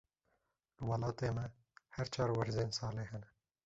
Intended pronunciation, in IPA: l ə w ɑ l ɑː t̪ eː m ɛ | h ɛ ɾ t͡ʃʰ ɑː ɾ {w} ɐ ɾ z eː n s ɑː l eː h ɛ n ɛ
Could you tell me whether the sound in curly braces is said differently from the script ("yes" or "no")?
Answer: no